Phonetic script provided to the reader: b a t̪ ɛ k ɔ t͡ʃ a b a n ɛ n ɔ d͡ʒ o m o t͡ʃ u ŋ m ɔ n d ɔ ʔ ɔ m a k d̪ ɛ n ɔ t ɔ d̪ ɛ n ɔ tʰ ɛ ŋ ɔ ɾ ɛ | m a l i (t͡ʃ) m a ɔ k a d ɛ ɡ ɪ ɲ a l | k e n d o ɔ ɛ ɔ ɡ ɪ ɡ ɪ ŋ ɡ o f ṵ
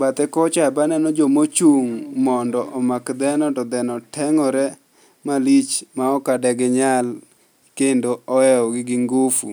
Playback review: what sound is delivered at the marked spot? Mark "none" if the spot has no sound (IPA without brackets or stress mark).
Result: t͡ʃ